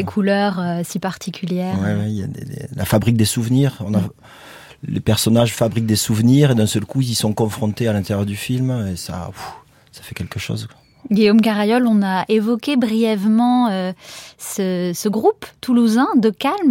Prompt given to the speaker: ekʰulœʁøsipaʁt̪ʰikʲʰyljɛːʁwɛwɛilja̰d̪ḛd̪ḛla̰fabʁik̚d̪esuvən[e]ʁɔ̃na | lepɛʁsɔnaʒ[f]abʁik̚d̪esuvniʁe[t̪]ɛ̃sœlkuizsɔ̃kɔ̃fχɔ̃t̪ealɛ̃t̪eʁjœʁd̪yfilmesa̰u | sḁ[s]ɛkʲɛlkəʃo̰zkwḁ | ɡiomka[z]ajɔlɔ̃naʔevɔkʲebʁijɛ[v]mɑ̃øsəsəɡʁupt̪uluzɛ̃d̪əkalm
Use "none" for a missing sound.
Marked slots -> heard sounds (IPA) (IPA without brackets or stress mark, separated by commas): i, f, d̪, f, ʁ, v